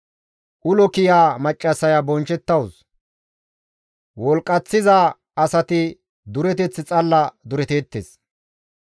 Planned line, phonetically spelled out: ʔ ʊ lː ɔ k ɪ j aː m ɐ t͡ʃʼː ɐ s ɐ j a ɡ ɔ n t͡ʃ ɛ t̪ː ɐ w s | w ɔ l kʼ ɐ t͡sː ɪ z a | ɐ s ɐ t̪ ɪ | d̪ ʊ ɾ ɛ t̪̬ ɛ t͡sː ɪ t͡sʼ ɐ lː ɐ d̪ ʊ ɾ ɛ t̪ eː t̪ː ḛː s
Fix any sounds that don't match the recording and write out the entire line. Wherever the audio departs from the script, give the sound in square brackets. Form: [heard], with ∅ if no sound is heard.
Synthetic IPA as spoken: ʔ ʊ [l] ɔ k ɪ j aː m ɐ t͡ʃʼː ɐ s ɐ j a [b] ɔ n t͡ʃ ɛ t̪ː ɐ w s | w ɔ l kʼ ɐ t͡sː ɪ z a | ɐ s ɐ t̪ ɪ | d̪ ʊ ɾ ɛ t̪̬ ɛ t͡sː ɪ t͡sʼ ɐ lː ɐ d̪ ʊ ɾ ɛ t̪ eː t̪ː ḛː s